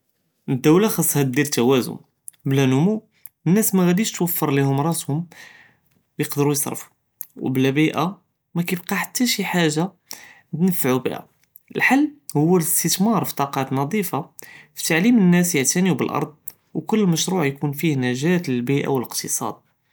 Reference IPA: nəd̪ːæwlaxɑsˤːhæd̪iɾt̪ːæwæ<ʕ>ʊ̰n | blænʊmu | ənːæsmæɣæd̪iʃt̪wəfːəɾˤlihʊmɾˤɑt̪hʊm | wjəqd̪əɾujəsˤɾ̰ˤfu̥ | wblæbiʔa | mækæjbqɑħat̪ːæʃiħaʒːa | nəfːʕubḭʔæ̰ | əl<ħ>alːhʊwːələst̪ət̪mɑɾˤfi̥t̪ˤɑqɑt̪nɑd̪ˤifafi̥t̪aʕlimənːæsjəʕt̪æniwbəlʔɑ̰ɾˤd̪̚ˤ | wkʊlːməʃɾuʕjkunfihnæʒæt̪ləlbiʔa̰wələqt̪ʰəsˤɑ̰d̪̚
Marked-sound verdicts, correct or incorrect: incorrect, correct

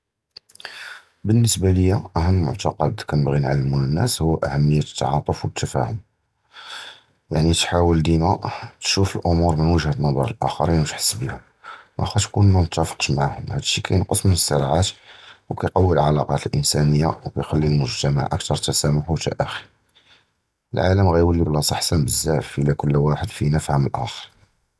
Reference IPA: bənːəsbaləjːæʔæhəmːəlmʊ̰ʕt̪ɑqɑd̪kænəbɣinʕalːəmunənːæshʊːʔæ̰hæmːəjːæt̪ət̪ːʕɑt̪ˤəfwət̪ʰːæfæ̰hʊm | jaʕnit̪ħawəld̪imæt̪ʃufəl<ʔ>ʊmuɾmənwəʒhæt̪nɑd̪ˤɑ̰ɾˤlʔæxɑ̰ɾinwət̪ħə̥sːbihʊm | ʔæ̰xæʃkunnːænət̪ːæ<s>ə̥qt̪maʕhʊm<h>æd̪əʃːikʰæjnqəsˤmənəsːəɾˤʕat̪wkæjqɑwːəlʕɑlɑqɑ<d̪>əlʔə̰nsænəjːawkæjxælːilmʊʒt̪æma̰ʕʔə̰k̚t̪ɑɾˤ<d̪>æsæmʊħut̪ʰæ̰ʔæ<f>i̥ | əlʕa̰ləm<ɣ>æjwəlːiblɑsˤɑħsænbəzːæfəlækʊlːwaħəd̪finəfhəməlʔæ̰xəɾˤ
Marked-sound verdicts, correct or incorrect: correct, incorrect, correct, incorrect, incorrect, incorrect, correct

